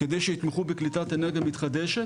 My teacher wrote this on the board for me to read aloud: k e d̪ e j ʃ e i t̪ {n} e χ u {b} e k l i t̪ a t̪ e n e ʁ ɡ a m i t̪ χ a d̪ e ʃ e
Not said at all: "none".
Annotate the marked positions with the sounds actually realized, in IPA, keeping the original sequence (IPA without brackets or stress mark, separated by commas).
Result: m, b